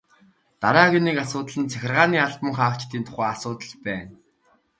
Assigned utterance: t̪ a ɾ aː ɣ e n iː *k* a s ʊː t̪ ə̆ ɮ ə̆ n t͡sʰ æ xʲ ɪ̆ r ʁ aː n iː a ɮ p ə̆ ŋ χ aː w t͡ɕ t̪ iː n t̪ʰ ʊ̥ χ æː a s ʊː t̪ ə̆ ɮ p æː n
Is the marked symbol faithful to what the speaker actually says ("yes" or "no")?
yes